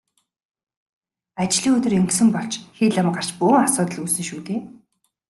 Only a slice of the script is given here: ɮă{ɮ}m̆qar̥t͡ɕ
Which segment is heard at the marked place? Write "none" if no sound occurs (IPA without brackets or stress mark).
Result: none